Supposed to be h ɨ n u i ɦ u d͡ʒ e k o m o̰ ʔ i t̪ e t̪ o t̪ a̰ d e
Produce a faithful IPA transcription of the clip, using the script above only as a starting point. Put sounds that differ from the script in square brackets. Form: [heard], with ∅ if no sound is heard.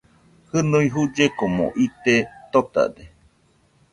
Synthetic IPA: h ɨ n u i ɦ u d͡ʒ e k o m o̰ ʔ i t̪ e t̪ o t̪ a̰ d e